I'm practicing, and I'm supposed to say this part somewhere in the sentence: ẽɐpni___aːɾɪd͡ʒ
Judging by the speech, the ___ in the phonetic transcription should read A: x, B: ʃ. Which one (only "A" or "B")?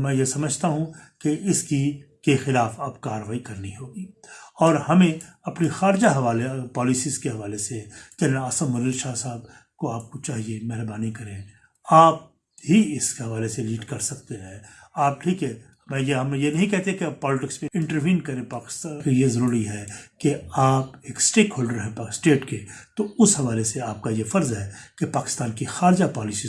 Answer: A